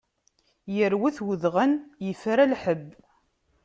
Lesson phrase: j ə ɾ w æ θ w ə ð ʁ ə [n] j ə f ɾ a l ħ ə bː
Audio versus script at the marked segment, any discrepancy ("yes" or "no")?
no